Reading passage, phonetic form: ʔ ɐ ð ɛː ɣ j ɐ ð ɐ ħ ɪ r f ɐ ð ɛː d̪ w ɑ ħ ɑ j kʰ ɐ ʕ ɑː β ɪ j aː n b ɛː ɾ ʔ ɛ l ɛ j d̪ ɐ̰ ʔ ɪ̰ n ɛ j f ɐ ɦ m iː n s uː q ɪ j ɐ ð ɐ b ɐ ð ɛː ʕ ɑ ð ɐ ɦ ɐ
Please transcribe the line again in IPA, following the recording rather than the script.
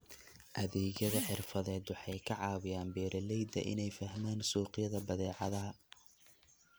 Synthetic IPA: ʔ ɐ ð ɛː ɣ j ɐ ð ɐ ħ ɪ r f ɐ ð ɛː d̪ w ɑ ħ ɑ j kʰ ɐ ʕ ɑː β ɪ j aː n b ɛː ɾ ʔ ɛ l ɛ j d̪ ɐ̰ ʔ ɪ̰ n ɛ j f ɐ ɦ m aː n s uː q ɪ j ɐ ð ɐ b ɐ ð ɛː ʕ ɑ ð ɐ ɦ ɐ

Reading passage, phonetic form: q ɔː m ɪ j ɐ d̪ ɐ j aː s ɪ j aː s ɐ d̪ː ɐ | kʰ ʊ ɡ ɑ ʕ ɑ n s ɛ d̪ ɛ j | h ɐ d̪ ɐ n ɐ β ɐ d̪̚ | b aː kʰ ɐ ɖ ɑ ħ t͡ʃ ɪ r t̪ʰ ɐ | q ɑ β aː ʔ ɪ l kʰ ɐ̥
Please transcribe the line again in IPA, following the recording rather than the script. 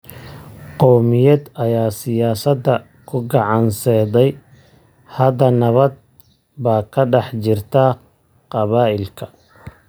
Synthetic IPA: q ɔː m ɪ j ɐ d̪ ɐ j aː s ɪ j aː s ɐ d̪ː ɐ | kʰ ʊ ɡ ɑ ʕ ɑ n s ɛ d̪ ɛ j | h ɐ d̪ ɐ n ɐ β ɐ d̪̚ | b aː kʰ ɐ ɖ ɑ ħ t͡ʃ ɪ r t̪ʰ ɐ | q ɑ β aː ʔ ɪ l kʰ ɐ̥

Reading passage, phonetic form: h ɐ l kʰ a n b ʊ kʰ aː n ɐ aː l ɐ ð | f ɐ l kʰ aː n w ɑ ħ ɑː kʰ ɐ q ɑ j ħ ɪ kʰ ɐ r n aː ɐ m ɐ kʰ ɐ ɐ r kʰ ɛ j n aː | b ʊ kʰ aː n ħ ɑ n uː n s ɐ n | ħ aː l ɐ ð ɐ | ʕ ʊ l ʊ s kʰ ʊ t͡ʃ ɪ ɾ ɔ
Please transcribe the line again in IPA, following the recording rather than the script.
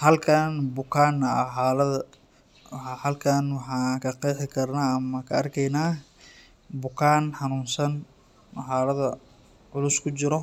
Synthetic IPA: h ɐ l kʰ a n b ʊ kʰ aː n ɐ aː l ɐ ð | h ɐ l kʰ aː n w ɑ ħ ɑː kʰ ɐ q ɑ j ħ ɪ kʰ ɐ r n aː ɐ m ɐ kʰ ɐ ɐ r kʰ ɛ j n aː | b ʊ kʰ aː n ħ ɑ n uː n s ɐ n | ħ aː l ɐ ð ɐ | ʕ ʊ l ʊ s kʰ ʊ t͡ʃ ɪ ɾ ɔ

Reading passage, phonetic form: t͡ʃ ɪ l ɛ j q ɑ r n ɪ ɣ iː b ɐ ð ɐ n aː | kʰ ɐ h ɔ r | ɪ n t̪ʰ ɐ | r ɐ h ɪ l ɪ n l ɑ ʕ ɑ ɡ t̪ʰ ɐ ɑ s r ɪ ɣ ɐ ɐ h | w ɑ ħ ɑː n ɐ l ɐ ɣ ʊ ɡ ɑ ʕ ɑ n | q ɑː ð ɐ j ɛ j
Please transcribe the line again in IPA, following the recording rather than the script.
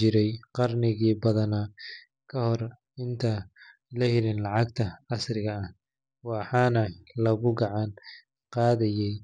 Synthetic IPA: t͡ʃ ɪ ɾ ɛ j q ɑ r n ɪ ɣ iː b ɐ ð ɐ n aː | kʰ ɐ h ɔ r | ɪ n t̪ʰ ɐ | l ɐ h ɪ l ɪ n l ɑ ʕ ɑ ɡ t̪ʰ ɐ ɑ s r ɪ ɣ ɐ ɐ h | w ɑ ħ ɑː n ɐ l ɐ ɣ ʊ ɡ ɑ ʕ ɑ n | q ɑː ð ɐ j ɛ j

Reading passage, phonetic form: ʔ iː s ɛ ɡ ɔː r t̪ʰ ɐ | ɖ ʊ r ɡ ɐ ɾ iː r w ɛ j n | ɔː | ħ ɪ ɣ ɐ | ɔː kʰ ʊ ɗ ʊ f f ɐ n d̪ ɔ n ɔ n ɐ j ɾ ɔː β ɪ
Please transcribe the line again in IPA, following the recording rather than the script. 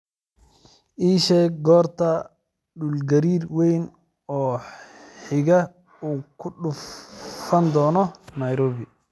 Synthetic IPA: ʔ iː ʃ ɛ ɡ ɔː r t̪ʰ ɐ | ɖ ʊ l ɡ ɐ ɾ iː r w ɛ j n | ɔː | ħ ɪ ɣ ɐ | uː kʰ ʊ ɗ ʊ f f ɐ n d̪ ɔː n ɔ n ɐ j ɾ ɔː β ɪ

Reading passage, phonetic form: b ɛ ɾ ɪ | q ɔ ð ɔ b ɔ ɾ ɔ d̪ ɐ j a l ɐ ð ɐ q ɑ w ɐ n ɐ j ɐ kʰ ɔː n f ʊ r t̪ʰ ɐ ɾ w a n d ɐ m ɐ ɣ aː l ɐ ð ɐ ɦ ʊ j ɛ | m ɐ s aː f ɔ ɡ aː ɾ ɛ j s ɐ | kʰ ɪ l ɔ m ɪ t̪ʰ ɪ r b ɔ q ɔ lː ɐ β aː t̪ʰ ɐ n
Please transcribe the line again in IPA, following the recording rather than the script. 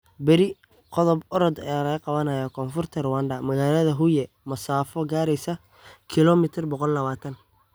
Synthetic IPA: b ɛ ɾ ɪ | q ɔ ð ɔ b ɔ ɾ ɔ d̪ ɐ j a l ɐ ɣ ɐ q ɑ β ɐ n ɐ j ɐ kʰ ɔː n f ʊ r t̪ʰ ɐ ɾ w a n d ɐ m ɐ ɣ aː l ɐ ð ɐ ɦ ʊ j ɛ | m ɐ s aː f ɔ ɡ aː ɾ ɛ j s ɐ | kʰ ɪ l ɔ m ɪ t̪ʰ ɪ r b ɔ q ɔ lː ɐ β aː t̪ʰ ɐ n

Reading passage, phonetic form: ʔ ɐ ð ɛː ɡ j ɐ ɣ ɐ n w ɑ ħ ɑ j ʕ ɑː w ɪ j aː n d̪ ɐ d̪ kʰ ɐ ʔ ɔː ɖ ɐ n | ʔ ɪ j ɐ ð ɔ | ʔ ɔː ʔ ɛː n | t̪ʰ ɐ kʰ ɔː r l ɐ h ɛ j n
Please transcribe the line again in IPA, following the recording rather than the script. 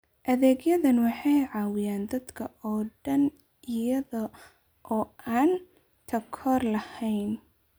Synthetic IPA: ʔ ɐ ð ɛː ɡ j ɐ ð ɐ n w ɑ ħ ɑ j ʕ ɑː w ɪ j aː n d̪ ɐ d̪ kʰ ɐ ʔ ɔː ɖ ɐ n | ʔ ɪ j ɐ ð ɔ | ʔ ɔː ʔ aː n | t̪ʰ ɐ kʰ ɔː r l ɐ h ɛ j n

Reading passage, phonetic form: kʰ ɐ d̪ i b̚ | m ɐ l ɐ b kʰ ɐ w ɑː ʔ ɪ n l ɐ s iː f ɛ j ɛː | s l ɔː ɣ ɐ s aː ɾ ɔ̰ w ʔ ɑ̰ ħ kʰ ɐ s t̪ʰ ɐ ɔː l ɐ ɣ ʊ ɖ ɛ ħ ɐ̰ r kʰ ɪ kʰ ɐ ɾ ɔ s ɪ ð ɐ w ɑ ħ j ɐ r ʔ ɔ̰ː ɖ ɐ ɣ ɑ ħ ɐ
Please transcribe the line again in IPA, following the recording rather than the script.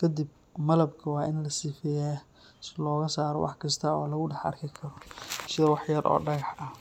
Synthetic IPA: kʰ ɐ d̪ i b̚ | m ɐ l ɐ b kʰ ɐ w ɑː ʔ ɪ n l ɐ s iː f ɛ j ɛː | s l ɔː ɣ ɐ s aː ɾ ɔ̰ w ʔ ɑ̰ ħ kʰ ɐ s t̪ʰ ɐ ɔː l ɐ ɣ ʊ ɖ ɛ ħ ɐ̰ r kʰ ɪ kʰ ɐ ɾ ɔ s ɪ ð ɐ w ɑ ħ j ɐ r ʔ ɔ̰ː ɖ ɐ ɣ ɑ ħ ɐ

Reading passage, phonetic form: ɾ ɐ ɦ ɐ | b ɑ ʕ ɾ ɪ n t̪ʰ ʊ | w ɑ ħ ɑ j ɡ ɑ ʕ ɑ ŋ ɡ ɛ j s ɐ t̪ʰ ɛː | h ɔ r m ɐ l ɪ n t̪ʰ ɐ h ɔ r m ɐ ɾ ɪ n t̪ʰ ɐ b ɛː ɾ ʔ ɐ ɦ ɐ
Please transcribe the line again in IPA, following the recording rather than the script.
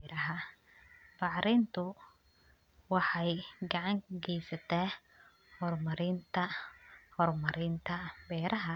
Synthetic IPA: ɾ ɐ ɦ ɐ | b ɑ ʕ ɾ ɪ n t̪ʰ ʊ | w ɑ ħ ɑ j ɡ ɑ ʕ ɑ ŋ ɡ ɛ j s ɐ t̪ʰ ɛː | h ɔ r m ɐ ɾ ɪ n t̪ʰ ɐ h ɔ r m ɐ ɾ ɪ n t̪ʰ ɐ b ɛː ɾ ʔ ɐ ɦ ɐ

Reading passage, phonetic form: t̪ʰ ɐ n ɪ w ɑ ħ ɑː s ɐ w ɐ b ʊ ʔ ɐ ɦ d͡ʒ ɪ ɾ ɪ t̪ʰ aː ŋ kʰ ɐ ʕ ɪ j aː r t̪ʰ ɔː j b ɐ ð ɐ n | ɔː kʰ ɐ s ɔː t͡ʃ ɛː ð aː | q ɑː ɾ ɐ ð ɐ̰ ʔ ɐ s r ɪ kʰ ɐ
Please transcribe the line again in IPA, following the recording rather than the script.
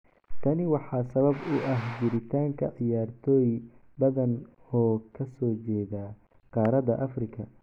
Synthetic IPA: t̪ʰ ɐ n ɪ w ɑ ħ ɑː s ɐ β ɐ b ʊ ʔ ɐ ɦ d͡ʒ ɪ ɾ ɪ t̪ʰ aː ŋ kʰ ɐ ʕ ɪ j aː r t̪ʰ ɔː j b ɐ ð ɐ n | ɔː kʰ ɐ s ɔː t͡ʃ ɛː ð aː | q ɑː ɾ ɐ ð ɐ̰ ʔ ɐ f r ɪ kʰ ɐ

